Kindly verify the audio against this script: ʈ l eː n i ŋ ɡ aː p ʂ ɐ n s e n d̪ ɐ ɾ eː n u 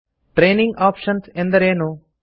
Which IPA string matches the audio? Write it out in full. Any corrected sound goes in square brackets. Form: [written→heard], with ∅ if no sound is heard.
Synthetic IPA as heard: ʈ [l→ɾ] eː n i ŋ ɡ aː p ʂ ɐ n s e n d̪ ɐ ɾ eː n u